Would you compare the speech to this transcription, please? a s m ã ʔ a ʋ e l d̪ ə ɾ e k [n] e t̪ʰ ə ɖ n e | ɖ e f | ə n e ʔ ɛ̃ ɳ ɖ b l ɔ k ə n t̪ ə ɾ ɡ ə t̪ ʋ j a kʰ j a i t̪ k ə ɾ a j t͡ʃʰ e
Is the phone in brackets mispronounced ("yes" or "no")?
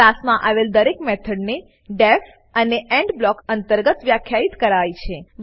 yes